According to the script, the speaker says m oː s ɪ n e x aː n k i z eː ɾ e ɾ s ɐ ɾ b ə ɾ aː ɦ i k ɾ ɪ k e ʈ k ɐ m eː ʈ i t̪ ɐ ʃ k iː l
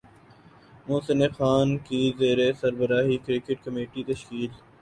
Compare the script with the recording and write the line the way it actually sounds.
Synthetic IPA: m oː s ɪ n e x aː n k i z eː ɾ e s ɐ ɾ b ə ɾ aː ɦ i k ɾ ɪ k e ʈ k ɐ m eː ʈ i t̪ ɐ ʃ k iː l